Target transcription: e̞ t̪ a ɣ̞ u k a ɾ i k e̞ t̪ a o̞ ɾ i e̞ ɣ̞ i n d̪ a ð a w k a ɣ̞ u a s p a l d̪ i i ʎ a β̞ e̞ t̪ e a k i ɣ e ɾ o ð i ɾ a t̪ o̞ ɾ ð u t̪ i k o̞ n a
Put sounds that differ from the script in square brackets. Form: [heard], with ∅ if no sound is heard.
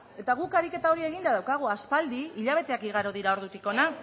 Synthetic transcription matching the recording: e̞ t̪ a ɣ̞ u k a ɾ i k e̞ t̪ a o̞ ɾ i e̞ ɣ̞ i n d̪ a ð a w k a ɣ̞ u a s p a l d̪ i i ʎ a β̞ e̞ t̪ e a k i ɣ [a] ɾ o ð i ɾ a [∅] o̞ ɾ ð u t̪ i k o̞ n a